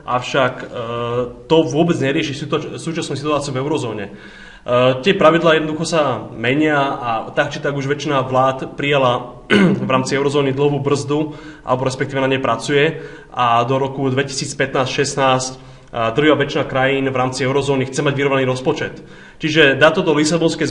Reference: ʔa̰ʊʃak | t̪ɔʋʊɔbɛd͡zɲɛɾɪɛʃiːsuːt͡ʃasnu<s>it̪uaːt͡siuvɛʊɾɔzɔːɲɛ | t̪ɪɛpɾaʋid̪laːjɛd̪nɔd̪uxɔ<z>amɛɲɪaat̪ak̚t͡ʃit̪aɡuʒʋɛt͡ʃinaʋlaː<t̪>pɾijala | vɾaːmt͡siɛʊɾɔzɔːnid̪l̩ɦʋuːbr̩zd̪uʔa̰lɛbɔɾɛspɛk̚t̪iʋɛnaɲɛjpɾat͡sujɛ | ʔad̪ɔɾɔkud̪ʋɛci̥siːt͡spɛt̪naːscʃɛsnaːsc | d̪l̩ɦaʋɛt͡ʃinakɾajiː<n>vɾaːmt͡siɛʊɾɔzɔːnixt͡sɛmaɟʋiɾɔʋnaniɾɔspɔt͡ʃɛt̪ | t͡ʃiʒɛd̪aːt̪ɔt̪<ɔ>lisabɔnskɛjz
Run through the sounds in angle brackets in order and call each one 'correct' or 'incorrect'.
correct, incorrect: s, correct, correct, correct

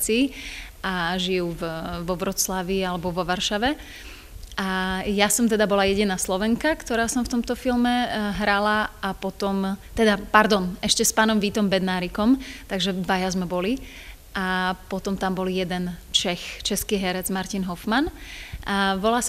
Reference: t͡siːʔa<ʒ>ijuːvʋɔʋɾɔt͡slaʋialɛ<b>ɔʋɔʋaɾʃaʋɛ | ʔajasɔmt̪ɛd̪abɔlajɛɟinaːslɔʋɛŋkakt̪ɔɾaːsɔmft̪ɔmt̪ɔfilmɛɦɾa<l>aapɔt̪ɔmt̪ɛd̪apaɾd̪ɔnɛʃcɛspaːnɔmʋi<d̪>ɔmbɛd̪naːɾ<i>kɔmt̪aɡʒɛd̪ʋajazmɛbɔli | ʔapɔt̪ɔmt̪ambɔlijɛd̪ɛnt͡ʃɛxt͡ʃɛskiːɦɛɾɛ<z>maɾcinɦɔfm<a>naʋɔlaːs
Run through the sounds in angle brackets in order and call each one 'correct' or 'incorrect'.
correct, correct, correct, incorrect: t̪, correct, incorrect: d͡z, correct

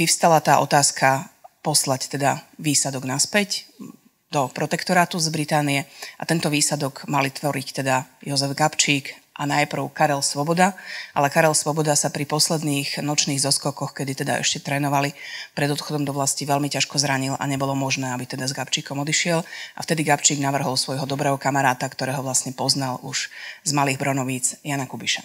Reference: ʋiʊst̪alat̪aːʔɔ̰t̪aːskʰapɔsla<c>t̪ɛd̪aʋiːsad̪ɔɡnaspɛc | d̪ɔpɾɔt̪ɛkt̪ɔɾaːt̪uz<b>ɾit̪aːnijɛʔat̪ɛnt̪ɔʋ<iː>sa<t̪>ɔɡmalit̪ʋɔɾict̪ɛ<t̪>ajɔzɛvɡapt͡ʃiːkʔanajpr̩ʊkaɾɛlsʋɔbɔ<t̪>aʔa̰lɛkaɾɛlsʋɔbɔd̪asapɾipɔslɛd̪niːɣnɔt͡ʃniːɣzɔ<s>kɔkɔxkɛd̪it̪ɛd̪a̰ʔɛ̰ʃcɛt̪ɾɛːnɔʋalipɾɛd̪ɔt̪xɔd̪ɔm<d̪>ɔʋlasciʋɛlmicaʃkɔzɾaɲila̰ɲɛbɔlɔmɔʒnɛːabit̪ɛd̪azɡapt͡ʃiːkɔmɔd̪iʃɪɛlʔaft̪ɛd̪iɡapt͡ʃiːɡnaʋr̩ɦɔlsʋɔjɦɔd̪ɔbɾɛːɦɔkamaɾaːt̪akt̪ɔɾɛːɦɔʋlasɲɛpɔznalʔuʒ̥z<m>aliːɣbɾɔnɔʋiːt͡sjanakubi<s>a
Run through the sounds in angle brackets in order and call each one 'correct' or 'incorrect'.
correct, correct, correct, incorrect: d̪, incorrect: d̪, incorrect: d̪, correct, correct, correct, incorrect: ʃ

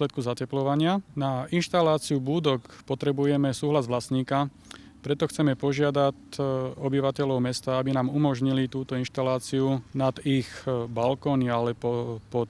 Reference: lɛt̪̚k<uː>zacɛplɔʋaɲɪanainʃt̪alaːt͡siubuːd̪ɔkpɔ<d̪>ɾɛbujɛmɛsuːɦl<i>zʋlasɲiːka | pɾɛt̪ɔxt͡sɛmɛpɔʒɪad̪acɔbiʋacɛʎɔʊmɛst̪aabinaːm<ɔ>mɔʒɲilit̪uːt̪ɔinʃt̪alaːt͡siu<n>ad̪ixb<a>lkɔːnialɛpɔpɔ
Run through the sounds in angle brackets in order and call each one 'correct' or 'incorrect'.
incorrect: u, incorrect: t̪, incorrect: a, incorrect: u, correct, correct

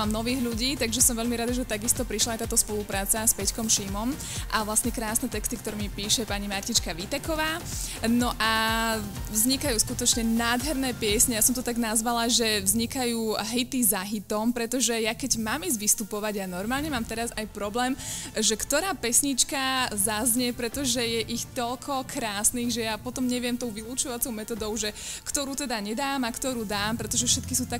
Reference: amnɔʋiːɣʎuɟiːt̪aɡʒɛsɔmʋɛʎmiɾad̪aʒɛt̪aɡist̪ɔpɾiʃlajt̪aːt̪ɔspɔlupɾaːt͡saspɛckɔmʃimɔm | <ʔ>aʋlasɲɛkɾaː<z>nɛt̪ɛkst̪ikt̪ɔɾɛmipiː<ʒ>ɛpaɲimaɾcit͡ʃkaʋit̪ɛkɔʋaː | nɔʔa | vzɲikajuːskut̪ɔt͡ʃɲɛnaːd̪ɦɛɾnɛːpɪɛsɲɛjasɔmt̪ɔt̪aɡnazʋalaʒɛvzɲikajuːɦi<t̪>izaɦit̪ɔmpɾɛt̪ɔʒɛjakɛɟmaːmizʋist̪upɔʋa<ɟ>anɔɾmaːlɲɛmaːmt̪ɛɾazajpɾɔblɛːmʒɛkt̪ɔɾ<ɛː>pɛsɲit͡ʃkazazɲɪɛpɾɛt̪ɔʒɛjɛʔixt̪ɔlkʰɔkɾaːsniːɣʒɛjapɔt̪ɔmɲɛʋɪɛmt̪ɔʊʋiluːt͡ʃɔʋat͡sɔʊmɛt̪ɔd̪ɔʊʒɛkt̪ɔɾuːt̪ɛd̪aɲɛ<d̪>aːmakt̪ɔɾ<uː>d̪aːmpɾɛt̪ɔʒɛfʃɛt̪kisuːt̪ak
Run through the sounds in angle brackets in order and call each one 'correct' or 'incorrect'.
correct, incorrect: s, incorrect: ʃ, correct, correct, incorrect: aː, correct, correct

